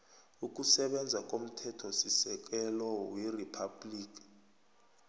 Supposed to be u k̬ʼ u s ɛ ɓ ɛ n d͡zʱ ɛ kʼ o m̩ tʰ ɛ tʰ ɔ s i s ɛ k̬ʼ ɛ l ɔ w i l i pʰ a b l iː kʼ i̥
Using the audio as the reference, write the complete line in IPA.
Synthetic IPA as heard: u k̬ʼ u s ɛ ɓ ɛ n d͡zʱ a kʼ o m̩ tʰ ɛ tʰ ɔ s i s ɛ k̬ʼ ɛ l ɔ w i r i pʰ a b l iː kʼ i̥